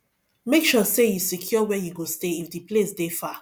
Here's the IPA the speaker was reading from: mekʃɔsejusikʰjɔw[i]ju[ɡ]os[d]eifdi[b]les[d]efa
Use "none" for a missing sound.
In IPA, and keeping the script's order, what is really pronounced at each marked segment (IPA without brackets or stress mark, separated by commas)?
ɛ, ɡ, t, p, d